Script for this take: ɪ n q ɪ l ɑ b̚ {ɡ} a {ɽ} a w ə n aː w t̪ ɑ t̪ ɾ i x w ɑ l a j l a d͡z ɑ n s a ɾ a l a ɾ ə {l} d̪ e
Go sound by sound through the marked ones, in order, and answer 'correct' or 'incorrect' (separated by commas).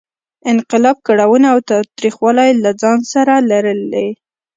incorrect, correct, correct